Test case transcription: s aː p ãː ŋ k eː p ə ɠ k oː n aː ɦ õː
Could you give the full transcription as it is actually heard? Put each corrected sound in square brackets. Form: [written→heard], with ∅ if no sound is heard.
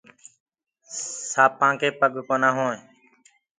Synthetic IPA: s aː p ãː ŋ k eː p ə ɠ k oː n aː ɦ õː